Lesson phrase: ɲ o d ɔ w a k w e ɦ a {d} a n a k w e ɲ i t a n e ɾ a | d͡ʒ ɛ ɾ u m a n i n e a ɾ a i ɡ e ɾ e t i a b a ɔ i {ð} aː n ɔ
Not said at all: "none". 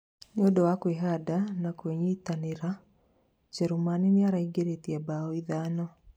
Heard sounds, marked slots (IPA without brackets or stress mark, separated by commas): d, ð